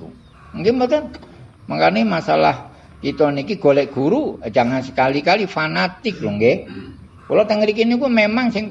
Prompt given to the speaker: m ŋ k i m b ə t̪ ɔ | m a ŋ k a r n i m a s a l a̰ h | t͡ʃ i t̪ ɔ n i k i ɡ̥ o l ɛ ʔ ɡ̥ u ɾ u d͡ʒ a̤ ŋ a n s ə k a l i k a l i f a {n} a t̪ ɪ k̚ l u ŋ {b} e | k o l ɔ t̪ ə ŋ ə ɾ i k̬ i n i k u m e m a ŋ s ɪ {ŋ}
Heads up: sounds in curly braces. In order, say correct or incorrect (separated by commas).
correct, incorrect, correct